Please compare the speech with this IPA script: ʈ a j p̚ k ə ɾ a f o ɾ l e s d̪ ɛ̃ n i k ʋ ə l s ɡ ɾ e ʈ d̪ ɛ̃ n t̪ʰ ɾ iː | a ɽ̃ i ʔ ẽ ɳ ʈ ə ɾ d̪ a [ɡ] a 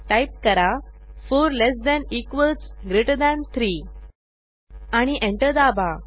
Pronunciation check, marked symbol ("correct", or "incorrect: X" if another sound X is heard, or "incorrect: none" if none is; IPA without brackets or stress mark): incorrect: b